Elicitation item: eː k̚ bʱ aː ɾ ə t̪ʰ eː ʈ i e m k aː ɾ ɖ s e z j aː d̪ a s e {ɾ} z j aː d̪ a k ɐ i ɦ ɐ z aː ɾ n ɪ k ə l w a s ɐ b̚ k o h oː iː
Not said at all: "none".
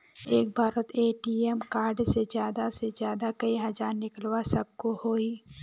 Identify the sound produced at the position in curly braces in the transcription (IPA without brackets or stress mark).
none